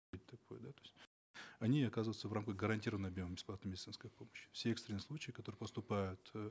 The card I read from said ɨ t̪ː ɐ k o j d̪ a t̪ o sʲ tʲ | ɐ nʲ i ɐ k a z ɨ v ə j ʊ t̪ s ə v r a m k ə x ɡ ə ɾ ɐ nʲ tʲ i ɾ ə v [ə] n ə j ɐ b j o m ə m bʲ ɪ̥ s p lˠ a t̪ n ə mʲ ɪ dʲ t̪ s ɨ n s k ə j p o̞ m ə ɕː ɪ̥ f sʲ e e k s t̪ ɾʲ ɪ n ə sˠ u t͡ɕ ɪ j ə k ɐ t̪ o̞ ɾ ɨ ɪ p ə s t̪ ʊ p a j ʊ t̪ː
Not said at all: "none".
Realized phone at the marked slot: ə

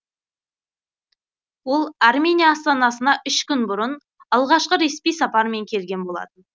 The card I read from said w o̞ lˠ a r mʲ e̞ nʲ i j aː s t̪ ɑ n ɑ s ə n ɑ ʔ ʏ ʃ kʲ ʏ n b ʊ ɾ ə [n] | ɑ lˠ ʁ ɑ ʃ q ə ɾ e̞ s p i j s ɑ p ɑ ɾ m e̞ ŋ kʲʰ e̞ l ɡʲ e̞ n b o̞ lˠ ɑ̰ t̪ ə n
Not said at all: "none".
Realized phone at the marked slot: n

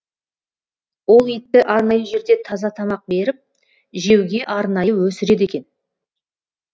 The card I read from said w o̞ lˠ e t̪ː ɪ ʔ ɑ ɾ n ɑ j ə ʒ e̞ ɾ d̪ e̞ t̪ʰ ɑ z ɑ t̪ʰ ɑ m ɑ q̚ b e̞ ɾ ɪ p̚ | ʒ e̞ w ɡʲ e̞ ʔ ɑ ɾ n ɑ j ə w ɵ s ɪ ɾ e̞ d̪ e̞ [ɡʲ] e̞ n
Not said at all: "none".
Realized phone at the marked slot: kʲ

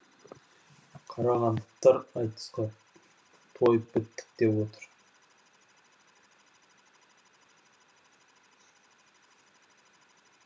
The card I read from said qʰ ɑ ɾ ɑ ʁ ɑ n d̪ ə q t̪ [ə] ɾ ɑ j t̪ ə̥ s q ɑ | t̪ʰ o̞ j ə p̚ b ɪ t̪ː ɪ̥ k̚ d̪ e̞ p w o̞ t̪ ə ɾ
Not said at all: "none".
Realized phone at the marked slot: ɑ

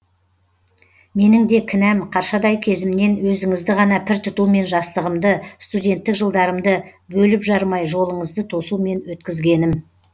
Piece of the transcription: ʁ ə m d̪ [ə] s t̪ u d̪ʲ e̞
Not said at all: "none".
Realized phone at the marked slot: ə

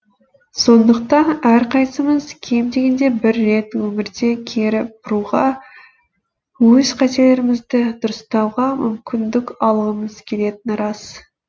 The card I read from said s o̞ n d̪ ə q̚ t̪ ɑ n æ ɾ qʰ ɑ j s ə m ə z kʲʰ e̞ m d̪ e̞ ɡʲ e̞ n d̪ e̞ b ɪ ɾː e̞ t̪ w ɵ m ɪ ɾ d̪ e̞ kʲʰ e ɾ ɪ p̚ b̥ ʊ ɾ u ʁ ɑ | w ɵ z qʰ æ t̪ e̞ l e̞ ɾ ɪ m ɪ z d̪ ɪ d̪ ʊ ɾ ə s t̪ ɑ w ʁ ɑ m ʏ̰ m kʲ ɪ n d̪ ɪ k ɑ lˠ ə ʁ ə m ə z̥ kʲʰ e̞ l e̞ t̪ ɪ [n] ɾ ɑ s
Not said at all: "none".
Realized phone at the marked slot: n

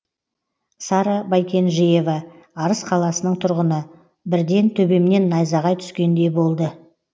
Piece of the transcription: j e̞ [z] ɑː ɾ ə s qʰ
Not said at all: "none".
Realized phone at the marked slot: v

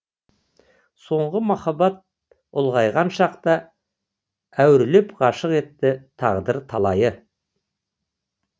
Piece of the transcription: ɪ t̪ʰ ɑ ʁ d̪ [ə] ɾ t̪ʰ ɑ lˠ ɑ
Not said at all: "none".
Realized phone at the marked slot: ə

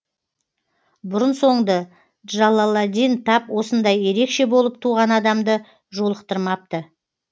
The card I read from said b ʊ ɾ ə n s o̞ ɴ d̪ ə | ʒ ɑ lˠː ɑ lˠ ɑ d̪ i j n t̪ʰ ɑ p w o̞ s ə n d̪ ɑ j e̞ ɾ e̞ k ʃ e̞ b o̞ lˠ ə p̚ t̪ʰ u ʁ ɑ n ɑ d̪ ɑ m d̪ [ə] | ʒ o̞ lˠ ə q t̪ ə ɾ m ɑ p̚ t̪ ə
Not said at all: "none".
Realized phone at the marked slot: ə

